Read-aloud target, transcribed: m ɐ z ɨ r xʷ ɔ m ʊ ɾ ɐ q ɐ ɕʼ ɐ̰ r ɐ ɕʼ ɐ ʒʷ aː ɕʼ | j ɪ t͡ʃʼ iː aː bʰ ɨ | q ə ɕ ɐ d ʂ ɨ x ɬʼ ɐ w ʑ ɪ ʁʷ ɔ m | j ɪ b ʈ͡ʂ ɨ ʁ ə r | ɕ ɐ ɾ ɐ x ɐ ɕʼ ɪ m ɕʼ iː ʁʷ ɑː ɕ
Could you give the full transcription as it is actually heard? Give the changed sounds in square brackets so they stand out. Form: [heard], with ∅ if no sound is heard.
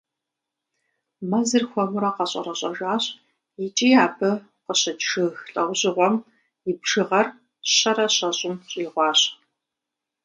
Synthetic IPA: m ɐ z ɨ r xʷ ɔ m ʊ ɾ ɐ q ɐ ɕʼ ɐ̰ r ɐ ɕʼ ɐ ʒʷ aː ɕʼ | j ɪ t͡ʃʼ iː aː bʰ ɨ | q ə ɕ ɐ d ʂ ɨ x ɬʼ ɐ w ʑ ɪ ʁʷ ɔ m | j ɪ b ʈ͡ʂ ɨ ʁ [ɐ] r | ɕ ɐ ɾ ɐ [ɕ] ɐ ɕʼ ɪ m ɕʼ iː ʁʷ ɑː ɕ